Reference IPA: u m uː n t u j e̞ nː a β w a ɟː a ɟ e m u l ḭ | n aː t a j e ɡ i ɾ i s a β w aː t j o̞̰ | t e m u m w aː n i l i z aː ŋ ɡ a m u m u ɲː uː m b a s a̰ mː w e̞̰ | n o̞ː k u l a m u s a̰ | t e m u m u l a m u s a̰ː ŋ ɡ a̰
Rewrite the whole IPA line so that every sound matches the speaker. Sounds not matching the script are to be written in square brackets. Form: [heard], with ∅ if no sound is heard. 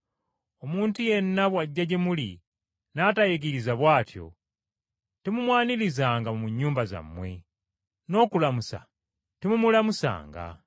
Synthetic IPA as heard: [o] m uː n t u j e̞ nː a β w a ɟː a ɟ e m u l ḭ | n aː t a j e ɡ i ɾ i [z] a β w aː t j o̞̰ | t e m u m w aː n i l i z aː ŋ ɡ a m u m u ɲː uː m b a [z] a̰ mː w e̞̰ | n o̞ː k u l a m u s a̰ | t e m u m u l a m u s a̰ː ŋ ɡ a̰

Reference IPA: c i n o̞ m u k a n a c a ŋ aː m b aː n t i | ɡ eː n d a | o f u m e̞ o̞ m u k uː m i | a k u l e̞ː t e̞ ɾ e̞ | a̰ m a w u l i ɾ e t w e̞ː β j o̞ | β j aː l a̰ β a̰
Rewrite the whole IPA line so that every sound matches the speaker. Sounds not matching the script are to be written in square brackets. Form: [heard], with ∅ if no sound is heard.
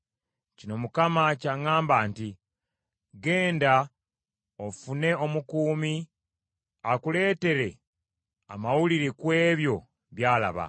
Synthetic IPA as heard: c i n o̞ m u k a [m] a c a ŋ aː m b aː n t i | ɡ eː n d a | o f u [n] e̞ o̞ m u k uː m i | a k u l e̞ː t e̞ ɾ e̞ | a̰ m a w u l i ɾ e [k] w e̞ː β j o̞ | β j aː l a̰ β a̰

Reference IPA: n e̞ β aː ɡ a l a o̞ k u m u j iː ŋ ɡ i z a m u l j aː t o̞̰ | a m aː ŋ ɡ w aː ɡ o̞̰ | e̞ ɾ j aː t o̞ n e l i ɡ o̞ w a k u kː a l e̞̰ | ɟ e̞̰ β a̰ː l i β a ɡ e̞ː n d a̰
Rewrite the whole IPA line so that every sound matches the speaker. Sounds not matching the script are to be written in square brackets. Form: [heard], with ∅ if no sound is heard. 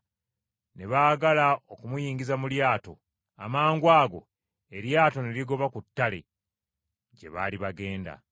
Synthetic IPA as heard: n e̞ β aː ɡ a l a o̞ k u m u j iː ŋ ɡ i z a m u l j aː t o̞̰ | a m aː ŋ ɡ w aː ɡ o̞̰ | e̞ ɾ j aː t o̞ n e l i ɡ o̞ [β] a k u [tː] a l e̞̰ | ɟ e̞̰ β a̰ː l i β a ɡ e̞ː n d a̰

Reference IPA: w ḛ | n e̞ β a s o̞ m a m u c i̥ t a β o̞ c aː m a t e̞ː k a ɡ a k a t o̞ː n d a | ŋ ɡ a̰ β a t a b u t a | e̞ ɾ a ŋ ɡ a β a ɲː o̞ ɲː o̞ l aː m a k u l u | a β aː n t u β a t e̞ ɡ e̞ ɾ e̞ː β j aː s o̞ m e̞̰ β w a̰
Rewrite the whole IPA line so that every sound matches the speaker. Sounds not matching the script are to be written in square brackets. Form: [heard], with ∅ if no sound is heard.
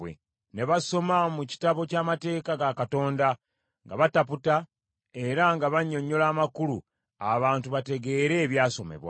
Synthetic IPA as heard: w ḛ | n e̞ β a s o̞ m a m u c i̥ t a β o̞ c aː m a t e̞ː k a ɡ a k a t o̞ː n d a | ŋ ɡ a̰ β a t a [p] u t a | e̞ ɾ a ŋ ɡ a β a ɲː o̞ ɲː o̞ l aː m a k u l u | a β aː n t u β a t e̞ ɡ e̞ ɾ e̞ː β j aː s o̞ m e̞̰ β w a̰

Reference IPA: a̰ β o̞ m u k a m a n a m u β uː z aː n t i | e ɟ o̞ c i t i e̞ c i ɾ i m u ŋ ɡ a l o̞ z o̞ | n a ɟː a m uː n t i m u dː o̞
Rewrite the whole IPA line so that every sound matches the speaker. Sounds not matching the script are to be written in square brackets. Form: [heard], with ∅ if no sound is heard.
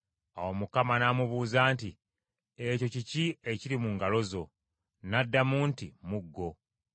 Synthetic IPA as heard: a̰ [w] o̞ m u k a m a n a m u β uː z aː n t i | e [c] o̞ c i [c] i e̞ c i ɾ i m u ŋ ɡ a l o̞ z o̞ | n a [dː] a m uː n t i m u [ɡː] o̞

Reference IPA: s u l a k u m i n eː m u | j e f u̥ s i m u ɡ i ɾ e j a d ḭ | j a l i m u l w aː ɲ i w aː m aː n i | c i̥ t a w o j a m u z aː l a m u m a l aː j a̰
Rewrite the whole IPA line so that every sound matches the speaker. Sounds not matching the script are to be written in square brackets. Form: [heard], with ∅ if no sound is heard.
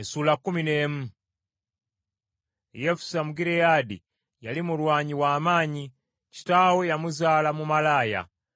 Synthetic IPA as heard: s u l a k u m i n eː m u | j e f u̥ s [a] m u ɡ i ɾ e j a d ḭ | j a l i m u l w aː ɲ i w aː m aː [ɲ] i | c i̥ t a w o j a m u z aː l a m u m a l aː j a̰

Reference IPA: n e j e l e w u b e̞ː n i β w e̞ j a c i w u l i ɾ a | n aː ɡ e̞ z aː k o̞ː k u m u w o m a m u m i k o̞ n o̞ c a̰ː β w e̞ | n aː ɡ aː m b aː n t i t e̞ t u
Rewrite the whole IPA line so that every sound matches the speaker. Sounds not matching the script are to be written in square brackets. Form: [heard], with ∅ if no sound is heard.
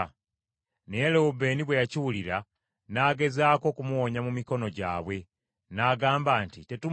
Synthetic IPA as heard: n e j e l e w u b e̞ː n i β w e̞ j a c i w u l i ɾ a | n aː ɡ e̞ z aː k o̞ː k u m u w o [ɲ] a m u m i k o̞ n o̞ [ɟ] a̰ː β w e̞ | n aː ɡ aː m b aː n t i t e̞ t u

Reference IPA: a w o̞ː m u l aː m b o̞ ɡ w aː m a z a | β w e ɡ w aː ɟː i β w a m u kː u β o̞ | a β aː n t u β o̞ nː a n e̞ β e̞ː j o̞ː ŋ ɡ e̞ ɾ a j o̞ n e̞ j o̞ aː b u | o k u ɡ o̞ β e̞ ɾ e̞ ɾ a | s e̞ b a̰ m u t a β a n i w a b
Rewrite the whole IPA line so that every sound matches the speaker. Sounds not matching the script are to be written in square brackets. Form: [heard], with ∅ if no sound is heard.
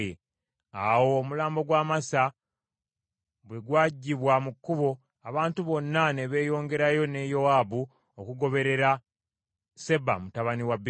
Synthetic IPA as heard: a w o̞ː m u l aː m b o̞ ɡ w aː m a [s] a | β w e ɡ w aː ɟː i β w a m u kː u β o̞ | a β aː n t u β o̞ nː a n e̞ β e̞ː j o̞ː ŋ ɡ e̞ ɾ a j o̞ n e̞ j o̞ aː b u | o k u ɡ o̞ β e̞ ɾ e̞ ɾ a | s e̞ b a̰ m u t a β a n i w a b

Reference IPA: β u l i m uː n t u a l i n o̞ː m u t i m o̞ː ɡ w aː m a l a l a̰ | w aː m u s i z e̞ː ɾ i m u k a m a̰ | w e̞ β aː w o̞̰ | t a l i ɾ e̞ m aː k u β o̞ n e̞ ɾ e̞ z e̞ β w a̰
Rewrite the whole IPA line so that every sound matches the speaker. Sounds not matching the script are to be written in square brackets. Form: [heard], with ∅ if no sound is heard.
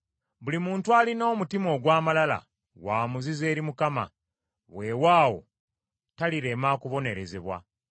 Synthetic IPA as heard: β u l i m uː n t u a l i n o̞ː m u t i m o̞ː ɡ w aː m a l a l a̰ | w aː m u [z] i z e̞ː ɾ i m u k a m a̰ | w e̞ [w] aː w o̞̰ | t a l i ɾ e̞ m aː k u β o̞ n e̞ ɾ e̞ z e̞ β w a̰

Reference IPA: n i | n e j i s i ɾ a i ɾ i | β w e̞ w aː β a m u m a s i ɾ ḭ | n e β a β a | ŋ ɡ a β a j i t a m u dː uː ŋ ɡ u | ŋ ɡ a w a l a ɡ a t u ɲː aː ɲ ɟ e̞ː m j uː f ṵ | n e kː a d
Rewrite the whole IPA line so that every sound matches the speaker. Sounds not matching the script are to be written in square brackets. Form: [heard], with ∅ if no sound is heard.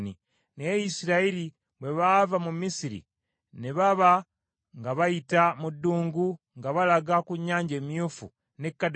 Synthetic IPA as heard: n i | n e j i s i ɾ a i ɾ i | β w e̞ [β] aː [v] a m u m [i] s i ɾ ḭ | n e β a β a | ŋ ɡ a β a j i t a m u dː uː ŋ ɡ u | ŋ ɡ a [β] a l a ɡ a [k] u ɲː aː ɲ ɟ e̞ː m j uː f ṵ | n e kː a d

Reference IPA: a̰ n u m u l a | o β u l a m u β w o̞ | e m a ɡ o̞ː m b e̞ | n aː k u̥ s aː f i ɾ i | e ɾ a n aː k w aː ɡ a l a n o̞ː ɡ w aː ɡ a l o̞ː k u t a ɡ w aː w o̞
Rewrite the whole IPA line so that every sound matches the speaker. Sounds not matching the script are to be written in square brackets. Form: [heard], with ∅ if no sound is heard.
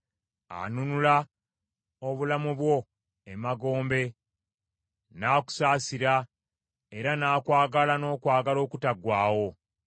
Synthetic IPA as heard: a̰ n u [n] u l a | o β u l a m u β w o̞ | e m a ɡ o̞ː m b e̞ | n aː k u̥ s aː [s] i ɾ [a] | e ɾ a n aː k w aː ɡ a l a n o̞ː [k] w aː ɡ a l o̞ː k u t a ɡ w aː w o̞

